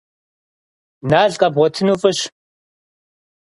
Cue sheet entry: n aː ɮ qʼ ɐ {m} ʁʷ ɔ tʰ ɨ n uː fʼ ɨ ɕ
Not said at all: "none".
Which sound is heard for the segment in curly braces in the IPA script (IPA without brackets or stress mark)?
b